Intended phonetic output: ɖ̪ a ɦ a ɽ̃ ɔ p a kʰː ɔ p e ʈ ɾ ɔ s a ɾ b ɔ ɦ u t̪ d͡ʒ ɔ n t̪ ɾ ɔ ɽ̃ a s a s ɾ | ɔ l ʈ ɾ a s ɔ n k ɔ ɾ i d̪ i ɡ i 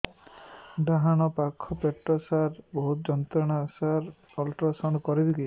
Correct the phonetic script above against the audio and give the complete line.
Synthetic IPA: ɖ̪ a ɦ a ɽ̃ ɔ p a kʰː ɔ p e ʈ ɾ ɔ s a ɾ b ɔ ɦ u t̪ d͡ʒ ɔ n t̪ ɾ ɔ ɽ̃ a s a ɾ | ɔ l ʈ ɾ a s ɔ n k ɔ ɾ i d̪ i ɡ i

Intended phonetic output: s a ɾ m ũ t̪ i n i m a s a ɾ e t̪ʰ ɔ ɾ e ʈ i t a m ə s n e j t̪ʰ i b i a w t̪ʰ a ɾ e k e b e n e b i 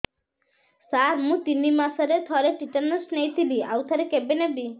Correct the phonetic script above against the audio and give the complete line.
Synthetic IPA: s a ɾ m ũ t̪ i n i m a s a ɾ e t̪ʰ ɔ ɾ e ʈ i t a n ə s n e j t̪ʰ i b i a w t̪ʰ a ɾ e k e b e n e b i

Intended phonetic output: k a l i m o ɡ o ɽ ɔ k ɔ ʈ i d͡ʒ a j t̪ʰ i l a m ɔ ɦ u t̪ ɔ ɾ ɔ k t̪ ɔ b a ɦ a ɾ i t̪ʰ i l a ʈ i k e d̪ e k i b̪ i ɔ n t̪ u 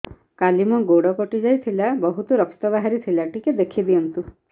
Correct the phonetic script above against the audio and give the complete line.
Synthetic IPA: k a l i m ɔ ɡ o ɽ ɔ k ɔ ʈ i d͡ʒ a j t̪ʰ i l a b ɔ ɦ u t̪ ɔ ɾ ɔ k t̪ ɔ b a ɦ a ɾ i t̪ʰ i l a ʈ i k e d̪ e kʰ i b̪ i ɔ n t̪ u

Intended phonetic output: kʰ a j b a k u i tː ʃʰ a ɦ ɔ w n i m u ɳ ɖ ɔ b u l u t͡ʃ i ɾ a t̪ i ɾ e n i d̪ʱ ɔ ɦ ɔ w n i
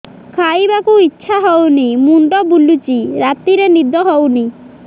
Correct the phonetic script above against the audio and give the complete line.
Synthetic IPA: kʰ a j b a k u i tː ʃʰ a ɦ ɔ w n i m u ɳ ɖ ɔ b u l u t͡ʃ i ɾ a t̪ i ɾ e n i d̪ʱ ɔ ɦ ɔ w n i

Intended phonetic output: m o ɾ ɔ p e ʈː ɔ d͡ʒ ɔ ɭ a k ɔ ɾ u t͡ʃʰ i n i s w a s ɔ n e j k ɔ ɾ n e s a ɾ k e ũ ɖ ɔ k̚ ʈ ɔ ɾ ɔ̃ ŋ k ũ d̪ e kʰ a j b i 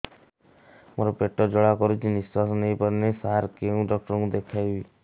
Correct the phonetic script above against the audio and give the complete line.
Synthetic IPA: m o ɾ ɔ p e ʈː ɔ d͡ʒ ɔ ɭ a k ɔ ɾ u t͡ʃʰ i n i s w a s ɔ n e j p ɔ ɾ n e s a ɾ k e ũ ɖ ɔ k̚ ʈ ɔ ɾ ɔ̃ ŋ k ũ d̪ e kʰ a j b i

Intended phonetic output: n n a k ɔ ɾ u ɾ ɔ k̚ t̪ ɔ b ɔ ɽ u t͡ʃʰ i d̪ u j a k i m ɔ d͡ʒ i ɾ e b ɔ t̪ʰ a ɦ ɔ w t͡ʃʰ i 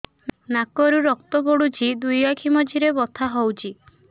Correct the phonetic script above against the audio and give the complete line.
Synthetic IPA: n n a k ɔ ɾ u ɾ ɔ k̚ t̪ ɔ b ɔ ɽ u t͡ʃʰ i d̪ u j a kʰ i m ɔ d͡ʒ i ɾ e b ɔ t̪ʰ a ɦ ɔ w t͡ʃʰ i

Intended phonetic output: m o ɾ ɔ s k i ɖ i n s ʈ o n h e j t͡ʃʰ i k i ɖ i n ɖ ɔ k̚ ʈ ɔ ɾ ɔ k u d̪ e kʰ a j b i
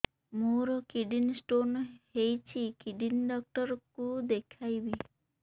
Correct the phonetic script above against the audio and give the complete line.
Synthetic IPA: m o ɾ ɔ k i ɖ i n s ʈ o n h e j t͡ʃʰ i k i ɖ i n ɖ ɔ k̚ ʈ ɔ ɾ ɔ k u d̪ e kʰ a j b i

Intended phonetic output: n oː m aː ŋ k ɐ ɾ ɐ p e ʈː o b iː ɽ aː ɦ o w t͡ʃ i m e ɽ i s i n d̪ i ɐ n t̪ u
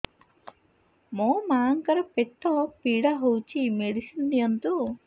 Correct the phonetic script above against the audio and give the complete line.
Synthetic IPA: m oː m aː ŋ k ɐ ɾ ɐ p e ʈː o p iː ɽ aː ɦ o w t͡ʃ i m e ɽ i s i n d̪ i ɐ n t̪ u

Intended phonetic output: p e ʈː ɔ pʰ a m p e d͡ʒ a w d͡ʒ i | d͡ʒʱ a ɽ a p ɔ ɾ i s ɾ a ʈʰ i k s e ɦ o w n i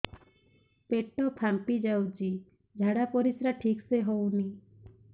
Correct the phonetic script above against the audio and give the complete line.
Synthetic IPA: p e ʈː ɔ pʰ a m p i d͡ʒ a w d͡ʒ i | d͡ʒʱ a ɽ a p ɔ ɾ i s ɾ a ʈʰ i k s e ɦ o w n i

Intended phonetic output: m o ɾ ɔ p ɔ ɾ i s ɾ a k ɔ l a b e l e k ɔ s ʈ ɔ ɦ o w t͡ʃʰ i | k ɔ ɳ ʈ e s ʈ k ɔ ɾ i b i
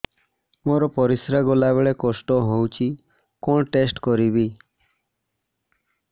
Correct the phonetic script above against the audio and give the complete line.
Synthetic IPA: m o ɾ ɔ p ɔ ɾ i s ɾ a ɡ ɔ l a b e ɭ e k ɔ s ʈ ɔ ɦ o w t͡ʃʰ i | k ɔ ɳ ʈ e s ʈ k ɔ ɾ i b i

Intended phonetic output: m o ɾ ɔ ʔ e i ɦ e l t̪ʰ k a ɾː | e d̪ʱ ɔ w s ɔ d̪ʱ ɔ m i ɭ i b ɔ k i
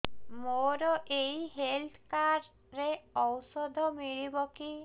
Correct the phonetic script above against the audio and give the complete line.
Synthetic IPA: m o ɾ ɔ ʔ e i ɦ e l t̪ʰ k a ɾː | e ɔ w s ɔ d̪ʱ ɔ m i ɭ i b ɔ k i

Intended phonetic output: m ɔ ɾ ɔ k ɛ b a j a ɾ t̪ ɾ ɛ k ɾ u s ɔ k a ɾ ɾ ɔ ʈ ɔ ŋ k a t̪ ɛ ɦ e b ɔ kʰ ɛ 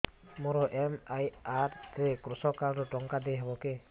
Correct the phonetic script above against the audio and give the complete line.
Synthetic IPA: m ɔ ɾ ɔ ʔ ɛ m a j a ɾ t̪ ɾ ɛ k ɾ u s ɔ k a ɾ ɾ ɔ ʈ ɔ ŋ k a d̪ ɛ ɦ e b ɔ k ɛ

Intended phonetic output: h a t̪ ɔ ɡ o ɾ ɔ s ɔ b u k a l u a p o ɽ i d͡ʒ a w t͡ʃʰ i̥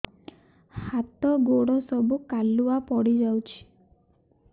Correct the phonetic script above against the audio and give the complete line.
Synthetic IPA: h a t̪ ɔ ɡ o ɽ ɔ s ɔ b u k a l u a p ɔ ɽ i d͡ʒ a w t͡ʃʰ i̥

